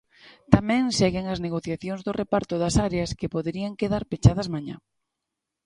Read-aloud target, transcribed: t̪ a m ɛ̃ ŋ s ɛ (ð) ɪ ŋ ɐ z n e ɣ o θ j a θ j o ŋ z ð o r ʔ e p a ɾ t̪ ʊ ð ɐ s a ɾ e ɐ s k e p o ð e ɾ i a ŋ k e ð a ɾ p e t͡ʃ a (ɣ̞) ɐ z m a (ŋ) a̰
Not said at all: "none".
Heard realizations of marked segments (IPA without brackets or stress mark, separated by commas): ɣ, ð̞, ɲ